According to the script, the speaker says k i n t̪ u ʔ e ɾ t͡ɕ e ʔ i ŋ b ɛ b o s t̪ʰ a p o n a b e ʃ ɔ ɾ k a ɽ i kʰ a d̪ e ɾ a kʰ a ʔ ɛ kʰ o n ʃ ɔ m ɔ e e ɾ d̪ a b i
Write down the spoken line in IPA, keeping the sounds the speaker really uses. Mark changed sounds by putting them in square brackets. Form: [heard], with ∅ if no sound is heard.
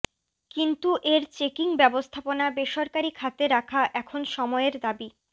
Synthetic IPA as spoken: k i n t̪ u ʔ e ɾ t͡ɕ e [k] i ŋ b ɛ b o s t̪ʰ a p o n a b e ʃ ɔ ɾ k a [ɾ] i kʰ a [t̪] e ɾ a kʰ a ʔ ɛ kʰ o n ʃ ɔ m ɔ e e ɾ d̪ a b i